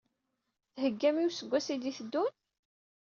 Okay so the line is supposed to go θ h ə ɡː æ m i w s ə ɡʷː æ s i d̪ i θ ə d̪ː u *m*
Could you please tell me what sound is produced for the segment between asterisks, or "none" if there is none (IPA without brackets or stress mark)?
n